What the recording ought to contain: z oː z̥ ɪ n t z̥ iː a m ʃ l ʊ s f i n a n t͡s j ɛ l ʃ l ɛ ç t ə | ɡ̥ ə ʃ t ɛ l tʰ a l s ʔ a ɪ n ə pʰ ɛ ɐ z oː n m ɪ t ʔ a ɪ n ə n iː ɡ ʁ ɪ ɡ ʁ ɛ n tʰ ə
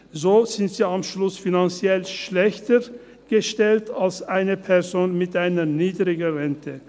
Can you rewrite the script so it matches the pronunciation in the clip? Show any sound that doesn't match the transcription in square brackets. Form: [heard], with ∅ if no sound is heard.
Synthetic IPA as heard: z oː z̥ ɪ n t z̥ iː a m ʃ l ʊ s f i n a n t͡s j ɛ l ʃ l ɛ ç t ə | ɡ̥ ə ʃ t ɛ l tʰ a l s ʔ a ɪ n ə pʰ ɛ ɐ z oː n m ɪ t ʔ a ɪ n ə n iː [d] ʁ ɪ ɡ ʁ ɛ n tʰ ə